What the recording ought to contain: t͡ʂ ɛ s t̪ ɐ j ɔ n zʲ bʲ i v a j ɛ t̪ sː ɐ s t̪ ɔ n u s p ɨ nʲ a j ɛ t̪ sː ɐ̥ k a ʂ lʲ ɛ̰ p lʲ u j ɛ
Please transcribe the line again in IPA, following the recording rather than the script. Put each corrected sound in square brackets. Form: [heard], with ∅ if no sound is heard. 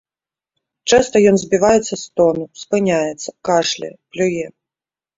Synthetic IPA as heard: t͡ʂ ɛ s t̪ ɐ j ɔ n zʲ bʲ i v a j ɛ t̪ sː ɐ s t̪ ɔ n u s p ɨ nʲ a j ɛ t̪ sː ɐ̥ k a ʂ lʲ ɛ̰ p lʲ u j ɛ